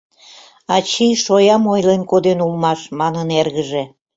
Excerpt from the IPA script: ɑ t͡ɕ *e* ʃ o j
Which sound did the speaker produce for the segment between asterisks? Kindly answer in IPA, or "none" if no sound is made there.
i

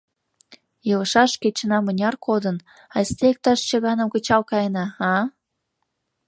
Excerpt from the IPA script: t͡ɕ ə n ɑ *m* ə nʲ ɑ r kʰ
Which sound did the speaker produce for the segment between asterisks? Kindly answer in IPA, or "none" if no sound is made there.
m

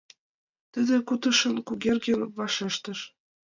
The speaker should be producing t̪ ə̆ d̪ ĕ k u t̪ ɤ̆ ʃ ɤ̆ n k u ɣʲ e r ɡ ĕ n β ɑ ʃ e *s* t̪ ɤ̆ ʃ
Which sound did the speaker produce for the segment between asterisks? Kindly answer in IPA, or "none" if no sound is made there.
ʃ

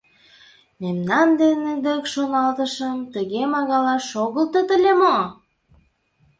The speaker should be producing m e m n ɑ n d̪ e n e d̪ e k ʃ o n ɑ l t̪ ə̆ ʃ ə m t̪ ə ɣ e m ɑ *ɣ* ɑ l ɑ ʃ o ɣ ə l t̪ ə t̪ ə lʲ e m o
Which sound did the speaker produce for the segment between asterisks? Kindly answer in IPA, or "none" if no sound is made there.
ɣ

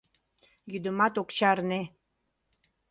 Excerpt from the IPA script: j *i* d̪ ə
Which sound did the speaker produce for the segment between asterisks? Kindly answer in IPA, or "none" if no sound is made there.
y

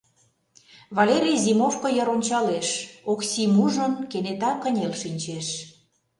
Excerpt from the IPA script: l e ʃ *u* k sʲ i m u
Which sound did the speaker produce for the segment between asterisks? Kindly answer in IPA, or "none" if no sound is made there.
o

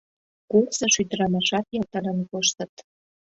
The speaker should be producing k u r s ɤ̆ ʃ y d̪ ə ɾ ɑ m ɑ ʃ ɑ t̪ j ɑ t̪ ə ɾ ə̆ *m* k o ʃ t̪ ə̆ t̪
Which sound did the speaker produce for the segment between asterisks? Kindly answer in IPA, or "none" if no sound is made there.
n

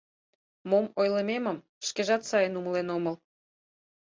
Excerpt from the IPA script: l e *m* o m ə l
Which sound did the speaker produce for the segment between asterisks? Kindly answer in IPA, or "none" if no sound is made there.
n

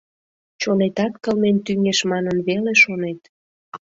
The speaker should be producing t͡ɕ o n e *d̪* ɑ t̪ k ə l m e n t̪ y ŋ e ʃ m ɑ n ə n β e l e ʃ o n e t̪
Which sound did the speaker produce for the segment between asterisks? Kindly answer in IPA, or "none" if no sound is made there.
t̪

